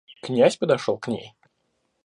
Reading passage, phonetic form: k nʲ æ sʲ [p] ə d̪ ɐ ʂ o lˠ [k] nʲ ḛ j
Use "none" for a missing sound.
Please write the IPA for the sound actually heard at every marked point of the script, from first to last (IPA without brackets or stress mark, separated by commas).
p, k